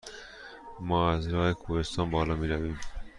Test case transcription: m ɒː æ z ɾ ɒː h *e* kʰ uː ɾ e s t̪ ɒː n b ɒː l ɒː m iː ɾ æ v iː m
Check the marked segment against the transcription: correct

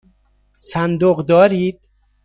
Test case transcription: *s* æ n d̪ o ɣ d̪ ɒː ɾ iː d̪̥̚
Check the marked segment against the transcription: correct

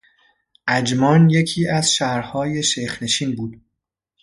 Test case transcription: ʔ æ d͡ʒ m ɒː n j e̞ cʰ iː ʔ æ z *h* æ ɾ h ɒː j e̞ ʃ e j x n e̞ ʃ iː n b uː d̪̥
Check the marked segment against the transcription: incorrect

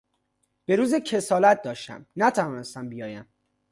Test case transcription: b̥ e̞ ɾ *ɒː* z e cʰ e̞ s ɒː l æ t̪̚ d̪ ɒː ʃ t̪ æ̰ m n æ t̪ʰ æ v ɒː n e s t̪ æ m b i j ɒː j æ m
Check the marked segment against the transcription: incorrect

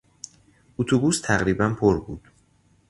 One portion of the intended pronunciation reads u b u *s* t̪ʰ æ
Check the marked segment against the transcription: correct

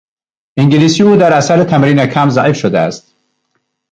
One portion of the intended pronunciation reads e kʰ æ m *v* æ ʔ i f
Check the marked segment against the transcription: incorrect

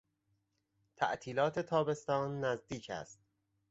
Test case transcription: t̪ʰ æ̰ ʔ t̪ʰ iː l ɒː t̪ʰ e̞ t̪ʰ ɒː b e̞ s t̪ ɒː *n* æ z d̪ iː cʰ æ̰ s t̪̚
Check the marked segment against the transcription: incorrect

